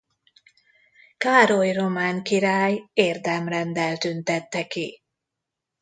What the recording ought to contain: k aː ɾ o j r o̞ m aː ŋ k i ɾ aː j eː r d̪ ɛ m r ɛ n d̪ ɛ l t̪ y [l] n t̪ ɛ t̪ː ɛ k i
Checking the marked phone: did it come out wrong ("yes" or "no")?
yes